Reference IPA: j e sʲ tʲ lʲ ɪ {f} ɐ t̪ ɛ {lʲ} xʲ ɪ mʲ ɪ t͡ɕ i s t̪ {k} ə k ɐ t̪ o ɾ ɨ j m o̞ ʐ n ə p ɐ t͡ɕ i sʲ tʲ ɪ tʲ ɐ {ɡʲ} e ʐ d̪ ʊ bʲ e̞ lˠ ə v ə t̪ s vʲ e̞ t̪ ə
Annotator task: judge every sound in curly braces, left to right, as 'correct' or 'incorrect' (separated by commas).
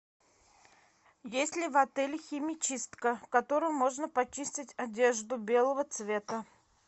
incorrect, correct, correct, incorrect